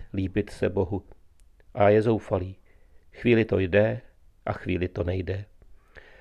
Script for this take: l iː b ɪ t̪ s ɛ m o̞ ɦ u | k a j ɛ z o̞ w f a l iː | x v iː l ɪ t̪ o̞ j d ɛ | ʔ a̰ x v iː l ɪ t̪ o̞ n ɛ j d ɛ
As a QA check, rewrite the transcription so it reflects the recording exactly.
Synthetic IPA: l iː b ɪ t̪ s ɛ b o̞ ɦ u | ʔ a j ɛ z o̞ w f a l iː | x v iː l ɪ t̪ o̞ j d ɛ | ʔ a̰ x v iː l ɪ t̪ o̞ n ɛ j d ɛ